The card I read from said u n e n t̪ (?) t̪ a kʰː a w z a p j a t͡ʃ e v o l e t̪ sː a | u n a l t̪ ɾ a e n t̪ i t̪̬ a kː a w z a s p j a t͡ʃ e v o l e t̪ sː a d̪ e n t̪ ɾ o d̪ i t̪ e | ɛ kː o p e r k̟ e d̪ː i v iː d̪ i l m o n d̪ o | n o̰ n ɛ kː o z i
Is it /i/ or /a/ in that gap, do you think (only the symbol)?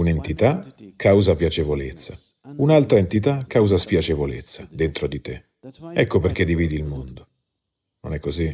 i